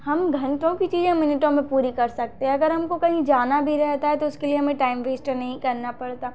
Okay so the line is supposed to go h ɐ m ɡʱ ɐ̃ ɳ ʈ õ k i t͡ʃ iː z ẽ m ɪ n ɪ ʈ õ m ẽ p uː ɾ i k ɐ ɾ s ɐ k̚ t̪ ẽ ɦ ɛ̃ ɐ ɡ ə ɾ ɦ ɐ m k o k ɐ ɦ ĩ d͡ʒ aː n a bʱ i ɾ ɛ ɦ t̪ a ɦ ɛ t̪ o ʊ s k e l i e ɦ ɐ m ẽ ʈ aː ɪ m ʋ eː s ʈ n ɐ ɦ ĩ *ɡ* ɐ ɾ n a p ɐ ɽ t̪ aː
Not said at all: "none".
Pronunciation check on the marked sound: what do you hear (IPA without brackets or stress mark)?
k